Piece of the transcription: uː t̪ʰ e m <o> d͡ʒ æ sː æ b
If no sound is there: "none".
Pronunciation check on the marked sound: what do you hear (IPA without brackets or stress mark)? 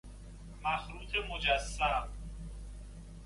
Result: o